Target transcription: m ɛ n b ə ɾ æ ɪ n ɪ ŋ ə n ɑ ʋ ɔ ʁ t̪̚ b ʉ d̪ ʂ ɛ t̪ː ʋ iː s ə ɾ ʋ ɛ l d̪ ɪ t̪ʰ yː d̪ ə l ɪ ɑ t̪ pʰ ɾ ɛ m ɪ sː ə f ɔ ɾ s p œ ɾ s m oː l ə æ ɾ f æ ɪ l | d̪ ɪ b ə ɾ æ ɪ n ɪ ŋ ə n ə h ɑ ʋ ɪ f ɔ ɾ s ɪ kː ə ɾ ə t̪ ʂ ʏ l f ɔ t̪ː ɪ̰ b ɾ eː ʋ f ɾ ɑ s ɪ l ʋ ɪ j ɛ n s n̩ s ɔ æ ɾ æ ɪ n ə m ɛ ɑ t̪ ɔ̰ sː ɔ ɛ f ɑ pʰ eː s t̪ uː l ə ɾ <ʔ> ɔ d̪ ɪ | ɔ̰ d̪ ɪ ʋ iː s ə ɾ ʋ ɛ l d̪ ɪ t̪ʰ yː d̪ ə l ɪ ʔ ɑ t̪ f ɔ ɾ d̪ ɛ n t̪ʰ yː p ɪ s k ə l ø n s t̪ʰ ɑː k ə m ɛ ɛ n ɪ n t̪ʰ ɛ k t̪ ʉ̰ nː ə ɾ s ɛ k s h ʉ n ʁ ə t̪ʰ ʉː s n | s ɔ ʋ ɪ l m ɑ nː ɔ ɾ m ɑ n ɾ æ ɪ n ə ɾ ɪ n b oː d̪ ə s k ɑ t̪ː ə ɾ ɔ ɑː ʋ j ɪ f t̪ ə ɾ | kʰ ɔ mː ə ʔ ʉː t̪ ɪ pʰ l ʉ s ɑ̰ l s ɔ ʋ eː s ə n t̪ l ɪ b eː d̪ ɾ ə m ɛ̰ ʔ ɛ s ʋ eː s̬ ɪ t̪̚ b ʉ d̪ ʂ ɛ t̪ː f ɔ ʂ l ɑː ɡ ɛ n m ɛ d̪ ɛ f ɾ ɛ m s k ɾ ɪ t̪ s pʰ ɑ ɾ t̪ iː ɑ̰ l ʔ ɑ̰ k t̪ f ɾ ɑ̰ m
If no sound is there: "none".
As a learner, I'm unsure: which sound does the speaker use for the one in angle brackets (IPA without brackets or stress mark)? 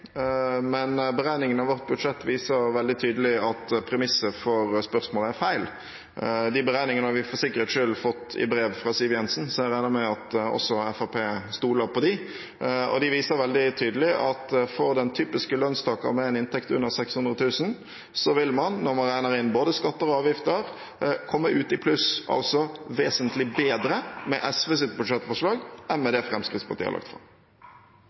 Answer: p